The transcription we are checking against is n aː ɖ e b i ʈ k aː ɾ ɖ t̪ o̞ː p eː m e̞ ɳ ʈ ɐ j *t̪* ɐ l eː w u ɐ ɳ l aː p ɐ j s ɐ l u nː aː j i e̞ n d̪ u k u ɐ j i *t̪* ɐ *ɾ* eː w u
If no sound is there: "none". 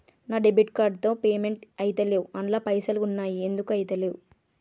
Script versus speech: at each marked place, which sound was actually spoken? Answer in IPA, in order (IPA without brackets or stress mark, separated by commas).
t̪, t̪, l